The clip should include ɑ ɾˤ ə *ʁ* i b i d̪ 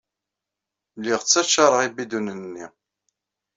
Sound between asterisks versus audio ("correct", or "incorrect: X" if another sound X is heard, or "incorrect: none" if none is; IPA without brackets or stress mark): correct